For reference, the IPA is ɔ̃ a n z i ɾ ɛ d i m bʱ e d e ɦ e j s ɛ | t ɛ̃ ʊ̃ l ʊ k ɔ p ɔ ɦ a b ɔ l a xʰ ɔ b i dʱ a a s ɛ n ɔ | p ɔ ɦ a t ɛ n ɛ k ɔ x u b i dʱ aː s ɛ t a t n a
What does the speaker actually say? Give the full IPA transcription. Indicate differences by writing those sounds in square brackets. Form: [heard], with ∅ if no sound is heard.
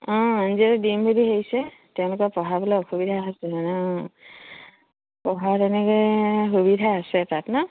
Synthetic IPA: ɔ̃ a n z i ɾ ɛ d i m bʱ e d [i] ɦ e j s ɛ | t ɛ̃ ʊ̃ l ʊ k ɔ p ɔ ɦ a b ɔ l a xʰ [u] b i dʱ a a s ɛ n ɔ | p ɔ ɦ a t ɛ n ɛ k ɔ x u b i dʱ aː s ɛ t a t n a

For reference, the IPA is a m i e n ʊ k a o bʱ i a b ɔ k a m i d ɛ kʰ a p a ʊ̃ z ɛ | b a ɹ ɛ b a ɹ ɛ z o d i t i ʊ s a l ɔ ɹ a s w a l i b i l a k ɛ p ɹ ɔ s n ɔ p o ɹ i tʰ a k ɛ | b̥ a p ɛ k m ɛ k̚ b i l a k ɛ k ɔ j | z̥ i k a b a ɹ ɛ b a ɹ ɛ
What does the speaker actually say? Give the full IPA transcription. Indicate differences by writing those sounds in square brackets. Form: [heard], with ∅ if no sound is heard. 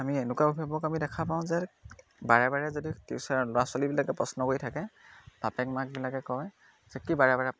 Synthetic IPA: a m i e n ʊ k a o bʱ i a b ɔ k a m i d ɛ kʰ a p a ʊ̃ z ɛ | b a ɹ ɛ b a ɹ ɛ z o d i t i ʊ s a l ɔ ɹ a s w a l i b i l a k ɛ p ɹ ɔ s n ɔ [k] o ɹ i tʰ a k ɛ | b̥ a p ɛ k m [a] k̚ b i l a k ɛ k ɔ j | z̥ [ɛ] k [i] b a ɹ ɛ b a ɹ ɛ

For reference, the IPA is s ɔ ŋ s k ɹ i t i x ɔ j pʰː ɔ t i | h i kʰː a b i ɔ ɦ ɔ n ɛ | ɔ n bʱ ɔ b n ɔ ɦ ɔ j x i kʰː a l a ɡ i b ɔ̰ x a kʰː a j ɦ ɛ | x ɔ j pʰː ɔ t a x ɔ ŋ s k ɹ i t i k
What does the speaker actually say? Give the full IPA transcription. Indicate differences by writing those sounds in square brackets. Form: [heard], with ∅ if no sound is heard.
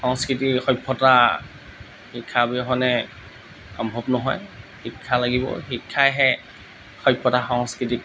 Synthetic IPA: [x] ɔ ŋ s k ɹ i t i x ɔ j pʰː ɔ t [a] | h i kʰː a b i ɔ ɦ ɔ n ɛ | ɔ [m] bʱ ɔ b n ɔ ɦ ɔ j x i kʰː a l a ɡ i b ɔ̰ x [i] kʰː a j ɦ ɛ | x ɔ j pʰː ɔ t a x ɔ ŋ s k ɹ i t i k

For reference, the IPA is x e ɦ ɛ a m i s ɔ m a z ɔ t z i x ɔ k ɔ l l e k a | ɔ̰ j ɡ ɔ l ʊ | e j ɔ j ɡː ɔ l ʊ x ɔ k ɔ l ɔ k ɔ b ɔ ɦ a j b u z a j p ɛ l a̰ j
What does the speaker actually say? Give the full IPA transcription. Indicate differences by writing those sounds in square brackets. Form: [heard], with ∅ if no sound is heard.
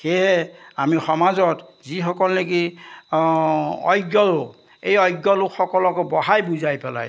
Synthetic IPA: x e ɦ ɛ a m i [x] ɔ m a z ɔ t z i x ɔ k ɔ l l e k [i] | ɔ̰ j ɡ ɔ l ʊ | e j ɔ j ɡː ɔ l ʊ x ɔ k ɔ l ɔ k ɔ b ɔ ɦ a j b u z a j p ɛ l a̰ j

